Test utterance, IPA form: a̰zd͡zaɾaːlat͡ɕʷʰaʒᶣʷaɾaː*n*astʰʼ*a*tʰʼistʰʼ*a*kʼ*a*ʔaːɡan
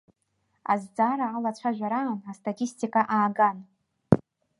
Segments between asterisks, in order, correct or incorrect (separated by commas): correct, correct, incorrect, correct